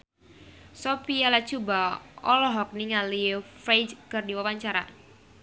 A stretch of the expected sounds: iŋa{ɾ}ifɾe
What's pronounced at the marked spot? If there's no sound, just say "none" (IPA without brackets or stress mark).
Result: l